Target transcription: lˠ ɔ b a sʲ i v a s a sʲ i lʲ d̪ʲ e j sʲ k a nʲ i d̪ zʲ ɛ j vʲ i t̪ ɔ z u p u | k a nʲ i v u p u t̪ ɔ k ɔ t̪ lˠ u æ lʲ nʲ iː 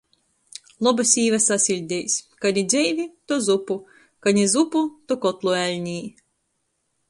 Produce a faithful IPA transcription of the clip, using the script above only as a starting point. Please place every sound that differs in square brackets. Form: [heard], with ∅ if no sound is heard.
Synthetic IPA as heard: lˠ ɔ b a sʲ [iː] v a s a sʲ i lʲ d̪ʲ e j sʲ k a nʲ i d̪ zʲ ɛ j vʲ i t̪ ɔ z u p u | k a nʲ i [z] u p u t̪ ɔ k ɔ t̪ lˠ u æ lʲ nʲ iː